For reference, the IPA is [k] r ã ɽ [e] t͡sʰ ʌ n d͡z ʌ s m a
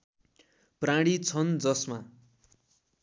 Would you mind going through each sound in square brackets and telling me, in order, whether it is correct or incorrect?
incorrect: p, incorrect: i

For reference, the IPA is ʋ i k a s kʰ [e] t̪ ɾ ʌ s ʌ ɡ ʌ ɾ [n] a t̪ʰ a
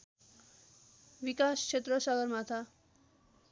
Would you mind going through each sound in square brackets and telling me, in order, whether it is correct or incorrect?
correct, incorrect: m

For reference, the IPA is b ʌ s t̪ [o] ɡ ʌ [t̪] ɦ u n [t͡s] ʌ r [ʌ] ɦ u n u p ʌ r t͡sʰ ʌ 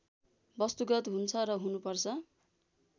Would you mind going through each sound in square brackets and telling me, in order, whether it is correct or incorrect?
incorrect: u, correct, incorrect: t͡sʰ, correct

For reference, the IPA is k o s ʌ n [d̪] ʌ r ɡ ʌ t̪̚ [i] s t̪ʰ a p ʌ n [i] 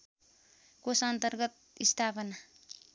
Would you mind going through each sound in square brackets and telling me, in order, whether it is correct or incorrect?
incorrect: t̪, correct, incorrect: a

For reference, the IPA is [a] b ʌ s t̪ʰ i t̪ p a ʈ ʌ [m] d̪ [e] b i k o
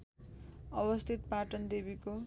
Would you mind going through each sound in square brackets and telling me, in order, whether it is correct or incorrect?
incorrect: ʌ, incorrect: n, correct

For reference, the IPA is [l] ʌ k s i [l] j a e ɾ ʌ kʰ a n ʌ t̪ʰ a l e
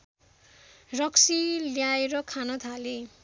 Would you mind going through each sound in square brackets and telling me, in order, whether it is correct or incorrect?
incorrect: r, correct

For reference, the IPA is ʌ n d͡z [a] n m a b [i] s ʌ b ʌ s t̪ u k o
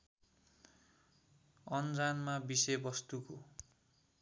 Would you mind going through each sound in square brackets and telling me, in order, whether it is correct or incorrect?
correct, correct

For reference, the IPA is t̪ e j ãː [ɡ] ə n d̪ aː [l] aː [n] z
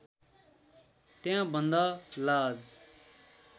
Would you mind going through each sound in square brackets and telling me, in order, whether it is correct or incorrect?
incorrect: b, correct, incorrect: none

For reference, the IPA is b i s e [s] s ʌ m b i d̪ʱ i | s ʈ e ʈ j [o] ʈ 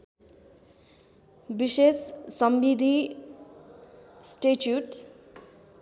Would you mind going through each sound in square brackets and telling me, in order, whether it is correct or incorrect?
correct, incorrect: u

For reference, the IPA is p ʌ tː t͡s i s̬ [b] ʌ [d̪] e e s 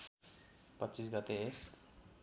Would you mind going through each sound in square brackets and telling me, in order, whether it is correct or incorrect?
incorrect: ɡ, incorrect: t̪

